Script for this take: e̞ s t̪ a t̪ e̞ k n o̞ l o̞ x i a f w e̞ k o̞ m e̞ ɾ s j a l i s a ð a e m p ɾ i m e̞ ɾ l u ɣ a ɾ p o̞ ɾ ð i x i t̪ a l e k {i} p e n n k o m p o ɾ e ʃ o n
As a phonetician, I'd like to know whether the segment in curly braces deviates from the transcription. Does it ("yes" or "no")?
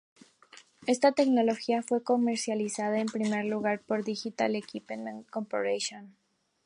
no